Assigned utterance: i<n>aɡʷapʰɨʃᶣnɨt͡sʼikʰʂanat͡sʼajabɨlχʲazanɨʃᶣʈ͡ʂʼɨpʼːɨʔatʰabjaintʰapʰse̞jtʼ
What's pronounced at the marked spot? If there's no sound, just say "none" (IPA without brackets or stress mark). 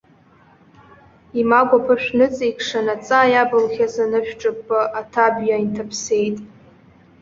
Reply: m